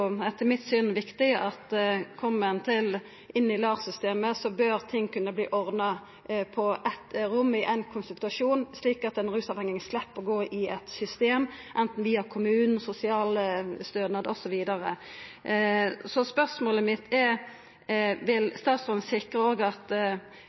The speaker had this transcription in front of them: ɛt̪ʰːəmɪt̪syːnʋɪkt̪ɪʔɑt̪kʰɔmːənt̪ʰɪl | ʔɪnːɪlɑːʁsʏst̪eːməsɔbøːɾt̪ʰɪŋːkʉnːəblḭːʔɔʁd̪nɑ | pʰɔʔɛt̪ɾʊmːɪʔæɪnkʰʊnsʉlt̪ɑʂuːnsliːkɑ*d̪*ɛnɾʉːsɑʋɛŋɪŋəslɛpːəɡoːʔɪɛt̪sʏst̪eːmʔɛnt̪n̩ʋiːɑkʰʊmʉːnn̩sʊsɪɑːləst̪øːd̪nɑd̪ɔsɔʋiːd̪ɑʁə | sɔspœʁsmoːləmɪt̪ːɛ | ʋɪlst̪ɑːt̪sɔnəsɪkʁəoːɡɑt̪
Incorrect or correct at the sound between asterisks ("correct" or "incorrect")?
incorrect